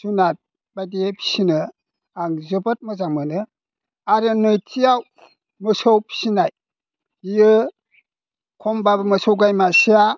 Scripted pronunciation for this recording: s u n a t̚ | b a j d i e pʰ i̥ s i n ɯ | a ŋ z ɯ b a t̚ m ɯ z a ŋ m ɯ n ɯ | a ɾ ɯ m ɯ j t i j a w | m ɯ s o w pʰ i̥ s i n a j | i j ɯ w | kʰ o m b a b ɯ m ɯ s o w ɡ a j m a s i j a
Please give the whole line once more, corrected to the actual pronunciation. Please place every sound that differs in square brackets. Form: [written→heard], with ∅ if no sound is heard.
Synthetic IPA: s u n a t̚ | b a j d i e pʰ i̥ s i n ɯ | a ŋ z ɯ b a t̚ m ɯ z a ŋ m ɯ n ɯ | a ɾ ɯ [m→n] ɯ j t i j a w | m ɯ s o w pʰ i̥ s i n a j | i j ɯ [w→∅] | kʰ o m b a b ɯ m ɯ s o w ɡ a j m a s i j a